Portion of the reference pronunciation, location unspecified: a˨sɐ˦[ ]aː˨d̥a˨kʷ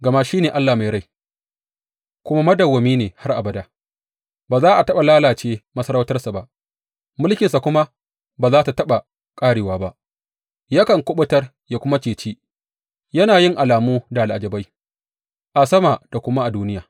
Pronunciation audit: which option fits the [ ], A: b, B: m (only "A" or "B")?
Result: B